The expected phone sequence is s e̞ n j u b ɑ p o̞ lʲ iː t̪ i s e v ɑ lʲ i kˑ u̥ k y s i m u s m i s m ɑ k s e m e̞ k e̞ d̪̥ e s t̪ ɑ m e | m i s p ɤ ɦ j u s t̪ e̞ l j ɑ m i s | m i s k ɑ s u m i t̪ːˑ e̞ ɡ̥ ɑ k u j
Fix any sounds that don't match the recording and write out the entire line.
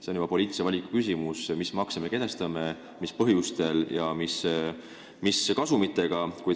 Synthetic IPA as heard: s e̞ n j u b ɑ p o̞ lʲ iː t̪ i s e v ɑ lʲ i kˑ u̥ k y s i m u s m i s m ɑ k s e m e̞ k e̞ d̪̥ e s t̪ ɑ m e | m i s p ɤ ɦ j u s t̪ e̞ l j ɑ m i s | m i s k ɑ s u m i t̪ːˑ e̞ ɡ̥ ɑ k u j